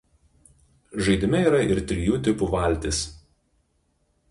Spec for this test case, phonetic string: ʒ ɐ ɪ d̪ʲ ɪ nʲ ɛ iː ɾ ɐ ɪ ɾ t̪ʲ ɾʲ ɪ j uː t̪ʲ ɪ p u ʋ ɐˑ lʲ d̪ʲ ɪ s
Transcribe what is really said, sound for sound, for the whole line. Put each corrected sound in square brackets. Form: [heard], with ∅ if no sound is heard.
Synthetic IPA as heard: ʒ ɐ ɪ d̪ʲ ɪ [mʲ] ɛ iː ɾ ɐ ɪ ɾ t̪ʲ ɾʲ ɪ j uː t̪ʲ ɪ p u ʋ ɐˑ lʲ [t̪ʲ] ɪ s